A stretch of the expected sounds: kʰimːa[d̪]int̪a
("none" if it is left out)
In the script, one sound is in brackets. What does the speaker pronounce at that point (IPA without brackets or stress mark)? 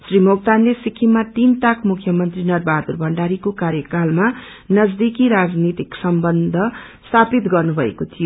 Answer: t̪